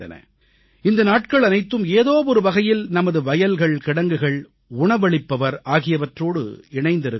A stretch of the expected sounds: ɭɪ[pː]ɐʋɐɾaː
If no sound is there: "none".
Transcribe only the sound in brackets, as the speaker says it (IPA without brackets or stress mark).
pː